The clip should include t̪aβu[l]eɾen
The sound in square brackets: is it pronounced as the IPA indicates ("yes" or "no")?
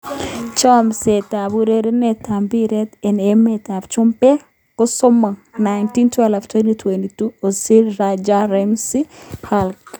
no